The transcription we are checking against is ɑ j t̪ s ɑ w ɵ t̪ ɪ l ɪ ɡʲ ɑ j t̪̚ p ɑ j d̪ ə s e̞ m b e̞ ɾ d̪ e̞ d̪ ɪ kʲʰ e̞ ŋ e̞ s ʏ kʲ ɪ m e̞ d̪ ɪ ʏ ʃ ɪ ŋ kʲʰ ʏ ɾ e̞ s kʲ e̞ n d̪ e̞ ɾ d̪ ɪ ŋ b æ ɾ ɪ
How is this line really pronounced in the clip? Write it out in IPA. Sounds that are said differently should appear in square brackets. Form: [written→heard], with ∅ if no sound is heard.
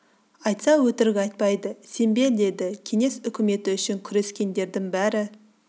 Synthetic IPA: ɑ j t̪ s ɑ w ɵ t̪ ɪ [l→ɾ] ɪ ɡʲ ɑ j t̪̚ p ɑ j d̪ ə s e̞ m b e̞ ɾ d̪ e̞ d̪ ɪ kʲʰ e̞ ŋ e̞ s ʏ kʲ ɪ m e̞ [d̪→t̪] ɪ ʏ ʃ ɪ ŋ kʲʰ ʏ ɾ e̞ s kʲ e̞ n d̪ e̞ ɾ d̪ ɪ ŋ b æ ɾ ɪ